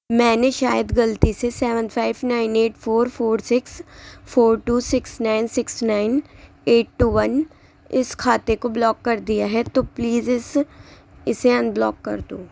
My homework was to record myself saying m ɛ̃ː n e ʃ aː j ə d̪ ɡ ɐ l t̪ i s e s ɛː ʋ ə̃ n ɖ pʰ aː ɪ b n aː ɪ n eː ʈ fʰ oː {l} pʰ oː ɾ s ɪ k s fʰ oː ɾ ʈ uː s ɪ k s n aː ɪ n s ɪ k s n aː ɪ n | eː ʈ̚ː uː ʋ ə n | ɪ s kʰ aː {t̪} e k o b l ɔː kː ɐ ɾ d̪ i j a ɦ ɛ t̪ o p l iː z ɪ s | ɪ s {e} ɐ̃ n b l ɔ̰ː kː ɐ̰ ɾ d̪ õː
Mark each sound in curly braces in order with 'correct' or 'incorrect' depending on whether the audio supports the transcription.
incorrect: ɾ, correct, correct

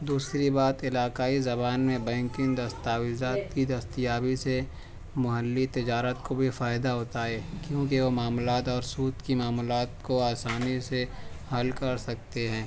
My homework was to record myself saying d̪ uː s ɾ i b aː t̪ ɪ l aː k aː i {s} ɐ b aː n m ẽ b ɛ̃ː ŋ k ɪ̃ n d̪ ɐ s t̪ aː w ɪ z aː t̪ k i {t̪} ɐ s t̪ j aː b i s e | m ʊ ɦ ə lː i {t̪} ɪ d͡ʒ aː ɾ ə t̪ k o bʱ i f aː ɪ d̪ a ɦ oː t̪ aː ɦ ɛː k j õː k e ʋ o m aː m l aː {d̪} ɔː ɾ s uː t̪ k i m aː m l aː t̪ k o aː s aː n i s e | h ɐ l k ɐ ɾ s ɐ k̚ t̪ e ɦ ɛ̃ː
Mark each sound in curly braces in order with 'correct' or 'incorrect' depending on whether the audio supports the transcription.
incorrect: z, incorrect: d̪, correct, incorrect: t̪

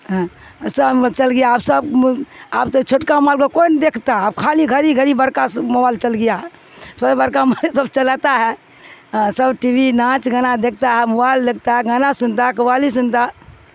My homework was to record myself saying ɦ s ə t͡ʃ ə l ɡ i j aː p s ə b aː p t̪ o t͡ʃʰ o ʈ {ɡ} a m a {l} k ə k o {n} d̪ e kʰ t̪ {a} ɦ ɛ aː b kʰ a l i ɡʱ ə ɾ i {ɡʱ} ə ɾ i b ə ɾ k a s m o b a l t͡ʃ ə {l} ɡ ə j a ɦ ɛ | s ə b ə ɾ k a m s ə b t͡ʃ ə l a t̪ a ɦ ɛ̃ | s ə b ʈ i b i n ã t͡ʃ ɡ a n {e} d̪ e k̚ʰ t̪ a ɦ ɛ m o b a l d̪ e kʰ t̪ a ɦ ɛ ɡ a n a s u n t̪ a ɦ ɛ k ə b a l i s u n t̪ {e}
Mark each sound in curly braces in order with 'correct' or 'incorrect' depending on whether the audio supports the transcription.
incorrect: k, correct, correct, correct, correct, correct, incorrect: a, incorrect: a

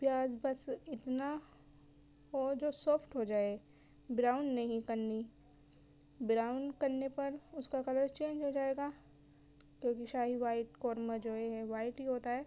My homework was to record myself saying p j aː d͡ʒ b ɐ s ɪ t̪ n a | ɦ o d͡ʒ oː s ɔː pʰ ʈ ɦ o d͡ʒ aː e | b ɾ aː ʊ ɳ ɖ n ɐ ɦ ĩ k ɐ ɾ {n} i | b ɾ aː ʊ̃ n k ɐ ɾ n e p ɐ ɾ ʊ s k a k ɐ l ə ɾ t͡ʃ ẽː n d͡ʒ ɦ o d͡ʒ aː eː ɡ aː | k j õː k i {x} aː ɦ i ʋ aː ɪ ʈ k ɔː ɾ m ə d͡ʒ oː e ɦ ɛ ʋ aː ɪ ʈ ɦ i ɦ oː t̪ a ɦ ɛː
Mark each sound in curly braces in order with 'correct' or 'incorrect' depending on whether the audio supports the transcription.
correct, incorrect: ʃ

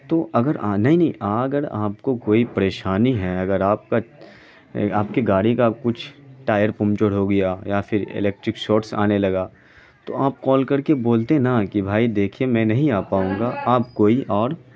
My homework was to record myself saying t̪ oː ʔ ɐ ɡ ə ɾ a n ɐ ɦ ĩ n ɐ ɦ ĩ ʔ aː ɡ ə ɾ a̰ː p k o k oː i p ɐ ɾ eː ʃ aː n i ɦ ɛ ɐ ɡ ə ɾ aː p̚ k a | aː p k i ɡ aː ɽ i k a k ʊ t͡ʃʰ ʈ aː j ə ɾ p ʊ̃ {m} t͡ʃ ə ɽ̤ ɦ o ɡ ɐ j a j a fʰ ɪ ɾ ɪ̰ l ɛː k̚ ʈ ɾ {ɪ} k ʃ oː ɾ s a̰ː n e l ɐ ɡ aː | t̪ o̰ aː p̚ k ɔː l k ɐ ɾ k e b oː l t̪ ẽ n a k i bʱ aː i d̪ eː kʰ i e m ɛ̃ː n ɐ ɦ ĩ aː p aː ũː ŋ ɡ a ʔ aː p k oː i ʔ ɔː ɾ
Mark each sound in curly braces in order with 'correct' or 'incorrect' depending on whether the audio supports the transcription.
correct, correct

